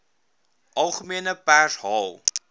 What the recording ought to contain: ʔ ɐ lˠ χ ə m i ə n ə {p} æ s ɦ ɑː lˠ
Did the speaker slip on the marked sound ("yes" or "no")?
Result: no